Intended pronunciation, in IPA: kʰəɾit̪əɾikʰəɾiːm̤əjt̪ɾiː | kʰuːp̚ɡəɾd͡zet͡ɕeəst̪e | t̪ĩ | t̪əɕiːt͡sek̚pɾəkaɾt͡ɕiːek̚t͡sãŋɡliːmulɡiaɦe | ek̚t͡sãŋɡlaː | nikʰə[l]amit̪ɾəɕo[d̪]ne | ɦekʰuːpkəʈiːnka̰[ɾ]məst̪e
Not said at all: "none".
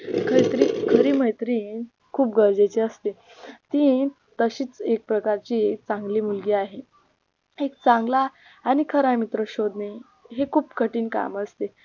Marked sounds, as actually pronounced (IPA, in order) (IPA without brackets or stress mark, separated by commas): ɾ, d̪, none